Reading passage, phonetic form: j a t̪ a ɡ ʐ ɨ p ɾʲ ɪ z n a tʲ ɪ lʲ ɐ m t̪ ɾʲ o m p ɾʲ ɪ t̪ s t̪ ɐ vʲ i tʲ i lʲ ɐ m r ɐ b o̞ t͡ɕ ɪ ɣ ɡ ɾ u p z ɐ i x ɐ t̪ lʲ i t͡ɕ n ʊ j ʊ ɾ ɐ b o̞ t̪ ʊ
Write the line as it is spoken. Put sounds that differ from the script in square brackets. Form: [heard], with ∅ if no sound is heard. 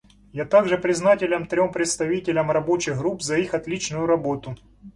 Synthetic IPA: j a t̪ a ɡ ʐ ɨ p ɾʲ ɪ z n a tʲ ɪ lʲ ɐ m t̪ ɾʲ o m p ɾʲ ɪ t̪ s t̪ ɐ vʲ i tʲ [ɪ] lʲ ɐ m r ɐ b o̞ t͡ɕ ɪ ɣ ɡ ɾ u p z ɐ i x ɐ t̪ lʲ i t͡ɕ n ʊ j ʊ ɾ ɐ b o̞ t̪ ʊ